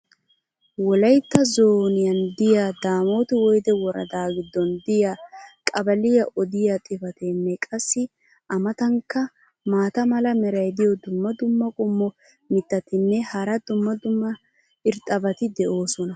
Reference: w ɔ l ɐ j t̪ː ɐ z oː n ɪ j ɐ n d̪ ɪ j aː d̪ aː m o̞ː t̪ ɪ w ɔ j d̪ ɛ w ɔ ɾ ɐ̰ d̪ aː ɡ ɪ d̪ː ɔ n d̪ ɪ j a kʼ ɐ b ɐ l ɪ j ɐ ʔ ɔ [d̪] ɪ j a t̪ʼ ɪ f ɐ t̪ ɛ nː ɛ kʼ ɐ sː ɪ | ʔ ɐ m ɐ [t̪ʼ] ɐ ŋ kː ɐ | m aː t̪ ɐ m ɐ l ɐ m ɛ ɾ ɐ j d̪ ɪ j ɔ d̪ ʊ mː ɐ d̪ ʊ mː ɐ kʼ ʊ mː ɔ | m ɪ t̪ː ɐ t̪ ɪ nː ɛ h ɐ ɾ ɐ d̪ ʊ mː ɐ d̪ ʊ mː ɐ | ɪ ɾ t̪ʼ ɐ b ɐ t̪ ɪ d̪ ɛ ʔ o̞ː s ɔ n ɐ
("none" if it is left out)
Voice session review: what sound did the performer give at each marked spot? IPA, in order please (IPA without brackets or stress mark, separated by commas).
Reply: d̪, t̪